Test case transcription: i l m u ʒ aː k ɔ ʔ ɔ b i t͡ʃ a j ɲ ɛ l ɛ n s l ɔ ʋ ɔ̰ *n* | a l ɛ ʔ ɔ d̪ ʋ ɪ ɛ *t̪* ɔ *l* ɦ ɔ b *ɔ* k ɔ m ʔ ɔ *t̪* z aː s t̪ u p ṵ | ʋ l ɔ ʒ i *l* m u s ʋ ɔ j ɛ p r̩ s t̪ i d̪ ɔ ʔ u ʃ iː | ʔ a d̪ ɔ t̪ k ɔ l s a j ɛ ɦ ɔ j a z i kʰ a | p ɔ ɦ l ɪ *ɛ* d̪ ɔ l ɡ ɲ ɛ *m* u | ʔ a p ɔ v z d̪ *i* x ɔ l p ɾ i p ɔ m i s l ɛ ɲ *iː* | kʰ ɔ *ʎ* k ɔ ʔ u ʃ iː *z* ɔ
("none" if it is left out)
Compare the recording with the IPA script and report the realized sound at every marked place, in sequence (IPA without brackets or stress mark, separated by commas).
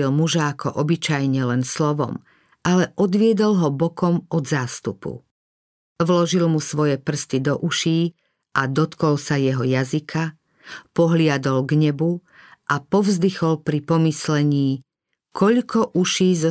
m, d̪, l, ɔ, d̪, l, a, b, i, iː, ʎ, z